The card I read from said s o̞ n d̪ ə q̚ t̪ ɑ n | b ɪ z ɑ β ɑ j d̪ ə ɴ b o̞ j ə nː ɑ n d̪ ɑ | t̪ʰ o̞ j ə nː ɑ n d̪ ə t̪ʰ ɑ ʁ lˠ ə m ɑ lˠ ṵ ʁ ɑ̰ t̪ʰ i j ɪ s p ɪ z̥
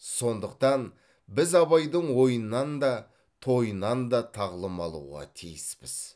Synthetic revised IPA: s o̞ n d̪ ə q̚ t̪ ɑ n | b ɪ z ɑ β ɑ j d̪ ə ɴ w o̞ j ə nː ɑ n d̪ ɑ | t̪ʰ o̞ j ə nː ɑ n d̪ ɑ t̪ʰ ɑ ʁ lˠ ə m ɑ lˠ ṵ ʁ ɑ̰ t̪ʰ i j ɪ s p ɪ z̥